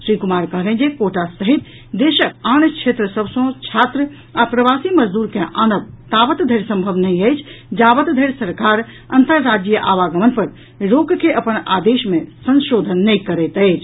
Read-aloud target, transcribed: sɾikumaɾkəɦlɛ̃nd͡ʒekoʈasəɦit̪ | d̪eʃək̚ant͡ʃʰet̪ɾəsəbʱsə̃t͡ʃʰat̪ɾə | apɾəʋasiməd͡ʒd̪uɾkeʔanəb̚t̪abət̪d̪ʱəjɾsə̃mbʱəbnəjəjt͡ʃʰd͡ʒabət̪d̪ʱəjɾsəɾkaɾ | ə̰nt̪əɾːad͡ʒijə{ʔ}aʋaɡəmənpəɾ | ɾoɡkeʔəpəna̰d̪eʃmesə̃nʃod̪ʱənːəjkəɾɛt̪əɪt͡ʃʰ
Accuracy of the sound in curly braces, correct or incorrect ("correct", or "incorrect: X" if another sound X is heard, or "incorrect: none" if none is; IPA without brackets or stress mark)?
correct